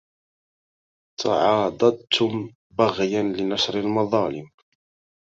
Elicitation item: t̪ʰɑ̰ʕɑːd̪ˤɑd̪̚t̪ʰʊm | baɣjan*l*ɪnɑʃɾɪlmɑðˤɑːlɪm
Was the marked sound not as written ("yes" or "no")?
no